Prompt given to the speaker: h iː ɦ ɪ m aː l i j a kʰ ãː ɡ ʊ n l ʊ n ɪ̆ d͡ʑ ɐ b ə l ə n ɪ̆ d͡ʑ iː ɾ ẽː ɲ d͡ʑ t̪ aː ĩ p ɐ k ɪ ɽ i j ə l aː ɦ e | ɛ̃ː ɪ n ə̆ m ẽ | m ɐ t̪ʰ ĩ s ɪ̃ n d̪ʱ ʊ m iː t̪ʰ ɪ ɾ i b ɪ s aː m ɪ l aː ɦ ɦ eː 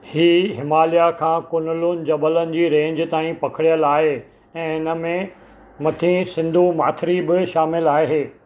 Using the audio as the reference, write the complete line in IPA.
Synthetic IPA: h iː ɦ ɪ m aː l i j a kʰ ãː k ʊ n l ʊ n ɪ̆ d͡ʑ ɐ b ə l ə n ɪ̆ d͡ʑ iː ɾ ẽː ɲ d͡ʑ t̪ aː ĩ p ɐ kʰ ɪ ɽ i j ə l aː ɦ e | ɛ̃ː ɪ n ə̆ m ẽ | m ɐ t̪ʰ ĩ s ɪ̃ n d̪ʱ u m aː t̪ʰ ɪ ɾ i b ɪ ʃ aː m ɪ l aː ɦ ɦ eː